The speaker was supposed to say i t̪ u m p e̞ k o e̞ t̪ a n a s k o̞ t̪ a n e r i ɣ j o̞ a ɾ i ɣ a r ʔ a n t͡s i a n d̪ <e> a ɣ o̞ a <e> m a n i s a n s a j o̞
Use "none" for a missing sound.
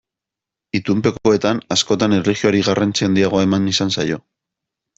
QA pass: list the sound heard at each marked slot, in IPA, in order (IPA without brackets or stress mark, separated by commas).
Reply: i, e